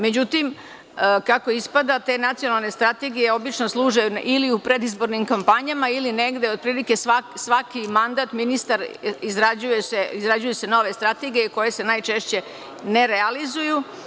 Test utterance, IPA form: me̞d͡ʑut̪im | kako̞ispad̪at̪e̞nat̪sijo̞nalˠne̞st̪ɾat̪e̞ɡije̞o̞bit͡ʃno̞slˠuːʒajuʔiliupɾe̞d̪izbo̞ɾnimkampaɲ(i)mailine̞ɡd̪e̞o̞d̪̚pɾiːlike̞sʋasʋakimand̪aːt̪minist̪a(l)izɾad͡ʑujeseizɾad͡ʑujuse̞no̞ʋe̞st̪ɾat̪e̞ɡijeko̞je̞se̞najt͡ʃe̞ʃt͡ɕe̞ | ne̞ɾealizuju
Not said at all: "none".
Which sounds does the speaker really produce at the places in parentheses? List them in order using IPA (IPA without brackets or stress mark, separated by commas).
a, ɾ